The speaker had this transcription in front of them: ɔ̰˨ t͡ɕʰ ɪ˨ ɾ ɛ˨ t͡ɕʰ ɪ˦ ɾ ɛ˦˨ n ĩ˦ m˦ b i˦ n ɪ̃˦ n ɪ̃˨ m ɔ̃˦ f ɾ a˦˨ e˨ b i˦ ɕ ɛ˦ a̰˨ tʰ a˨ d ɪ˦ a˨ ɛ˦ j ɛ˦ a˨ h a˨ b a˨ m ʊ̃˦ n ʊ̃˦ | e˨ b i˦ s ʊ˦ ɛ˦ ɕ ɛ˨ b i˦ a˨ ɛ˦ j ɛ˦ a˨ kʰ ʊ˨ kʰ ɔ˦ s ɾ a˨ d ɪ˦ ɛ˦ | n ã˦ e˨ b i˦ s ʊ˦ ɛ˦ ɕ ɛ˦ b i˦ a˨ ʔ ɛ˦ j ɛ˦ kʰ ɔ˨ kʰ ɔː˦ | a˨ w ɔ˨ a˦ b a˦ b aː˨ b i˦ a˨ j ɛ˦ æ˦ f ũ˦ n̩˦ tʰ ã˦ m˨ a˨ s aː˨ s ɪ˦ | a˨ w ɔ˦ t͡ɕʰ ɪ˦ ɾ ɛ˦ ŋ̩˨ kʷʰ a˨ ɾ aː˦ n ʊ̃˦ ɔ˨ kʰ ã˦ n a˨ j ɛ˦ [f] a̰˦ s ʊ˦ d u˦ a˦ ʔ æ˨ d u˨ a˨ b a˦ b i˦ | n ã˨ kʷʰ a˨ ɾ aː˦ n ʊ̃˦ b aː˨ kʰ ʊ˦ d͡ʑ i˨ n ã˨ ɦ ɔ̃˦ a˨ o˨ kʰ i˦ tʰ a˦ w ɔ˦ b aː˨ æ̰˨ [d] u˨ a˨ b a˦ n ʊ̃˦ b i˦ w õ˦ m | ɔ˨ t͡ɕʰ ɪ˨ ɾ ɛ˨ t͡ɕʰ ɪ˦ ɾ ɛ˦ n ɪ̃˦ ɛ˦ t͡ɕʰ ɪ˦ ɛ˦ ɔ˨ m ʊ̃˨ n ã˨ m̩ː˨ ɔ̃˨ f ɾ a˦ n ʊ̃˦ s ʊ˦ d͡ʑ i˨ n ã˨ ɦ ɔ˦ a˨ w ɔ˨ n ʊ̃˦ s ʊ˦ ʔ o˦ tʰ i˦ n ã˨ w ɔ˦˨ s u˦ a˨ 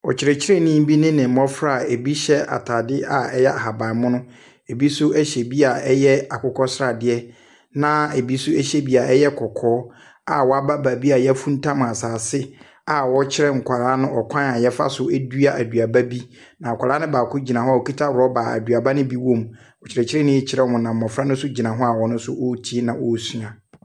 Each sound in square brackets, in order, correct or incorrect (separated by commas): correct, correct